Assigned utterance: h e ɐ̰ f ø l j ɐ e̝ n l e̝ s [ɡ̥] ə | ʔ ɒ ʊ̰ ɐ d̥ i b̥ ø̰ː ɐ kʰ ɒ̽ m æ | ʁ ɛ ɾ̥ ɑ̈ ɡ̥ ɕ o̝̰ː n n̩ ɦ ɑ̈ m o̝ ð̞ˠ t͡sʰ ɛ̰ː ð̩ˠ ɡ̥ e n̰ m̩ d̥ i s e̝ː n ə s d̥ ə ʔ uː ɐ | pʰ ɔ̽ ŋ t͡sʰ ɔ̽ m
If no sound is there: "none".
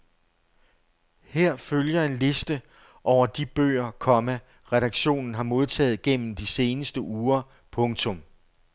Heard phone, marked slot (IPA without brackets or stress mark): d̥